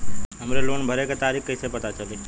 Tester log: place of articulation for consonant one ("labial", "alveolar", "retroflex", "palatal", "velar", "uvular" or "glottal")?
glottal